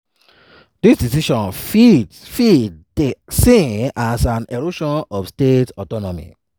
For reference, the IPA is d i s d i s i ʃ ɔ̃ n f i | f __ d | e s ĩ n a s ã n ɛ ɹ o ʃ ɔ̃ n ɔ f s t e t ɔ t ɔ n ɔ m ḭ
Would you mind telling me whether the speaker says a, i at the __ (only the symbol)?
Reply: i